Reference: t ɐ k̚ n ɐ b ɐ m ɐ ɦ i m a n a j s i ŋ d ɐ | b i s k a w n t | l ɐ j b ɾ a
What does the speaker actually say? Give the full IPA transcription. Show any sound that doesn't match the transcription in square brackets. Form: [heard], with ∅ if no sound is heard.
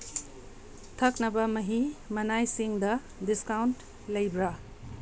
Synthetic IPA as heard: [tʰ] ɐ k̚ n ɐ b ɐ m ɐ ɦ i m [ɐ] n a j s i ŋ d ɐ | [d] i s k a w n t | l ɐ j b ɾ a